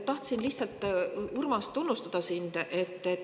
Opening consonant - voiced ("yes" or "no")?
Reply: no